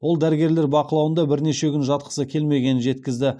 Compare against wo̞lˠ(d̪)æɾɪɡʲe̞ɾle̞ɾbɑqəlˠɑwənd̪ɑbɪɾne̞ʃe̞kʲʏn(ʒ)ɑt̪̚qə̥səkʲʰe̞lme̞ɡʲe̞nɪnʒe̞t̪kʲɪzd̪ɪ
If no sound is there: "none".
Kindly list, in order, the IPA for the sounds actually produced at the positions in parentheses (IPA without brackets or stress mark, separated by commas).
d̪, ʒ